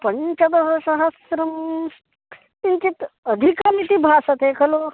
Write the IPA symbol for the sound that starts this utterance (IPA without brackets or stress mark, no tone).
p